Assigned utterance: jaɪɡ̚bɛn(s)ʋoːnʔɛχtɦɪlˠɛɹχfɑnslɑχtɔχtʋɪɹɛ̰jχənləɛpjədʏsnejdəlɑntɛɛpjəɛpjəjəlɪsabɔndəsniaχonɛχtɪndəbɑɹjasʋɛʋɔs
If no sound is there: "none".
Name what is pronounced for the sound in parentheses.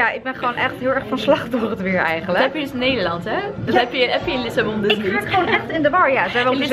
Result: χ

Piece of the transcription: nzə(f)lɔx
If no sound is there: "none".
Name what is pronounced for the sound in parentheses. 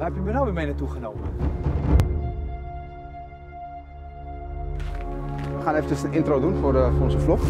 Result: f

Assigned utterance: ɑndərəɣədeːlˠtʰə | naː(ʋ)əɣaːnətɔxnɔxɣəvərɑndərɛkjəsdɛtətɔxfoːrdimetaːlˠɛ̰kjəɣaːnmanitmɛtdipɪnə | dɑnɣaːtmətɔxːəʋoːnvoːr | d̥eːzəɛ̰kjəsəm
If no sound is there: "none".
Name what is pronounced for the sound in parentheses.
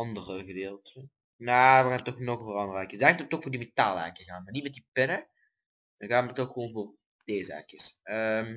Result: ʋ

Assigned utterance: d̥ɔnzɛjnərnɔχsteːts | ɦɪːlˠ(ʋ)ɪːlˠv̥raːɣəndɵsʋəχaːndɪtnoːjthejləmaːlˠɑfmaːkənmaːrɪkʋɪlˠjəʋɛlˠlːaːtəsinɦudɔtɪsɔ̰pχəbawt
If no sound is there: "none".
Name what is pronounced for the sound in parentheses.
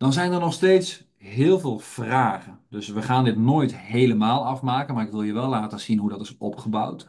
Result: v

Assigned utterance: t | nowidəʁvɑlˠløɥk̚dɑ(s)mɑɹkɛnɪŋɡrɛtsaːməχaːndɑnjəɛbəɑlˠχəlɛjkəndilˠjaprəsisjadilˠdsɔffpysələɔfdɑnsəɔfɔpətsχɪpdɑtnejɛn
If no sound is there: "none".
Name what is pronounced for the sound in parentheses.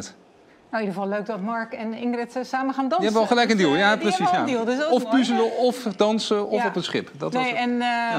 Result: t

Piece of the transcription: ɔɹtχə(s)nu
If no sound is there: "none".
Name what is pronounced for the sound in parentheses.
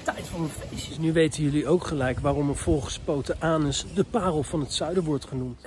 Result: none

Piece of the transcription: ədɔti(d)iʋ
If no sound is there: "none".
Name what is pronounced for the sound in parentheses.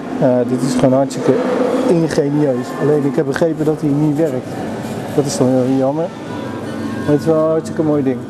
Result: n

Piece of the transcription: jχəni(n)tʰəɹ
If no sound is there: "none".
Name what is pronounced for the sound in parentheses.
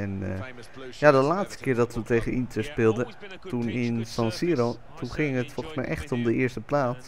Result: n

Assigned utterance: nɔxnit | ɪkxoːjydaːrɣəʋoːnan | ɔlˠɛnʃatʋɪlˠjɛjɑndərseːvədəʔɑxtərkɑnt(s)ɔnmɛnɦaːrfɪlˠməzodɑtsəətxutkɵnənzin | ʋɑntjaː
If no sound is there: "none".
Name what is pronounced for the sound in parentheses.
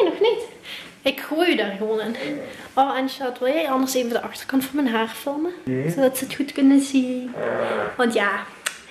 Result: f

